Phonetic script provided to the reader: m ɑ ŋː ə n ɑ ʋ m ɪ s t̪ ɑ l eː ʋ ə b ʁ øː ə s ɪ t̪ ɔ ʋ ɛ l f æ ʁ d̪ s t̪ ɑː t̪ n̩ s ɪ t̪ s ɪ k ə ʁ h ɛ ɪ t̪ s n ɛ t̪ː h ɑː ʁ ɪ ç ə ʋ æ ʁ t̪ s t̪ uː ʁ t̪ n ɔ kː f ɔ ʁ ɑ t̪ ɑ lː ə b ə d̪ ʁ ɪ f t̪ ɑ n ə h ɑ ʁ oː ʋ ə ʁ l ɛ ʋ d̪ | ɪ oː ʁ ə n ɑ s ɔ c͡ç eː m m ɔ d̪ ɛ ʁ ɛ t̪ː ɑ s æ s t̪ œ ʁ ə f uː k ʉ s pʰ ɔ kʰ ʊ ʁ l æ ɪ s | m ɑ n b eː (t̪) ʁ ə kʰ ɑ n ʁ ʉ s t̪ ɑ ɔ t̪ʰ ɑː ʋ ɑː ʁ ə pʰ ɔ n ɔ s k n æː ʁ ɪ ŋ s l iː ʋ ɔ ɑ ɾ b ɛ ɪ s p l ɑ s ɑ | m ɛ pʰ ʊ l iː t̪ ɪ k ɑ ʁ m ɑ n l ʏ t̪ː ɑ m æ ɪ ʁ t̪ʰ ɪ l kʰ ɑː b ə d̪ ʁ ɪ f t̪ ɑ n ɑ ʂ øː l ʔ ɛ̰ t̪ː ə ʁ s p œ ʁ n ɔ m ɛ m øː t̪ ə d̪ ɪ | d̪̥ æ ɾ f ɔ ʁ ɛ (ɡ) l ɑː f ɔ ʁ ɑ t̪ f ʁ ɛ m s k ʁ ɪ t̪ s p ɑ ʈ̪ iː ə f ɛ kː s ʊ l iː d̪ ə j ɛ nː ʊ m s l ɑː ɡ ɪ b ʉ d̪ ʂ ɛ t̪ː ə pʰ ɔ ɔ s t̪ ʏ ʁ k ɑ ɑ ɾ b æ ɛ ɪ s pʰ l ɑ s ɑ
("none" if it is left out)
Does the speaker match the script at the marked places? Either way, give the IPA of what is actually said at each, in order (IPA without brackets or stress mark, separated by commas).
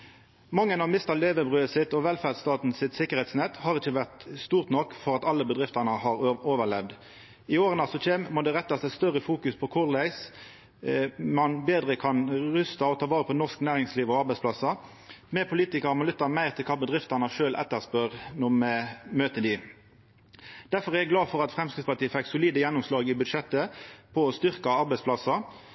d̪, ɡ